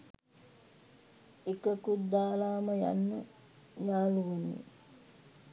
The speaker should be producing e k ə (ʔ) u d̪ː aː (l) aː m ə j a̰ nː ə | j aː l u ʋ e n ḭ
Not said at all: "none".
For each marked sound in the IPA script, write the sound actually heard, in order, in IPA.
k, l

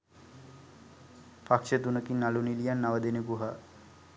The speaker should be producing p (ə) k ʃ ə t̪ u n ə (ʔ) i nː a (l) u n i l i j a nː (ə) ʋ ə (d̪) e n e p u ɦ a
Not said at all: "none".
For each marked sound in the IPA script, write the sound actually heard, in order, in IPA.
a, k, l, a, d̪

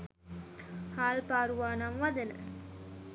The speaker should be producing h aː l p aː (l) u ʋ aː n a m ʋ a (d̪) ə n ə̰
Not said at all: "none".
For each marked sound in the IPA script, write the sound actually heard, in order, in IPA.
ɾ, d̪

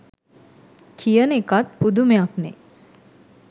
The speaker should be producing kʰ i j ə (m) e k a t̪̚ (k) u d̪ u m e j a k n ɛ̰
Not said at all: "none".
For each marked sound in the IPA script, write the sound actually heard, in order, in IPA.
n, p

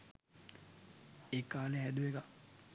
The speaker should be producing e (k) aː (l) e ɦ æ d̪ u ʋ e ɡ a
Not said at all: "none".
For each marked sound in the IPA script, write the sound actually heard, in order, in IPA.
k, l

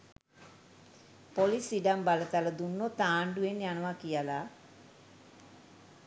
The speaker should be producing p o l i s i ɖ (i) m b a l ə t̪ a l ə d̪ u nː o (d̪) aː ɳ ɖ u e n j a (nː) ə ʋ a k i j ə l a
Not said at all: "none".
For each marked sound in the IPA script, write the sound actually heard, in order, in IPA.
a, t̪, n

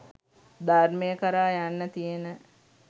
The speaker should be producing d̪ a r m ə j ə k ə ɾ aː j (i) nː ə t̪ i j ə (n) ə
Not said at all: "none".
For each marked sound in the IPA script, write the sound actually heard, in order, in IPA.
a, n

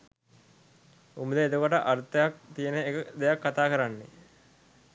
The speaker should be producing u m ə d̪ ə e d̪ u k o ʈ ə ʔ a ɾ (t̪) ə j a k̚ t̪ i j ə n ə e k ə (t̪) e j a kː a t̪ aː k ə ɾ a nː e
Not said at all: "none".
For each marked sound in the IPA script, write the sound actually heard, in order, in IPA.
t̪, d̪

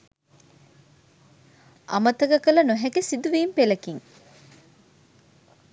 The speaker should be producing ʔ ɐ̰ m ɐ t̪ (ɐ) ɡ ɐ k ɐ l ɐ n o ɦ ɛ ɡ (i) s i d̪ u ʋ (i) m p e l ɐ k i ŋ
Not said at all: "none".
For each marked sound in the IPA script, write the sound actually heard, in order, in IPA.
ɐ, e, iː

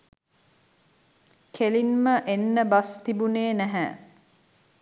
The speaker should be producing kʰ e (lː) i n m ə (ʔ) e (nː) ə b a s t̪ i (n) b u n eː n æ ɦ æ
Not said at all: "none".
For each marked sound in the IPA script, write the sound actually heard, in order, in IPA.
l, ʔ, nː, none

